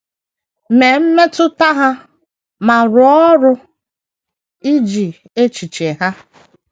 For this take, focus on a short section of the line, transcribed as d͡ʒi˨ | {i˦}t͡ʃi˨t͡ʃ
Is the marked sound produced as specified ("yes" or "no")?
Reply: no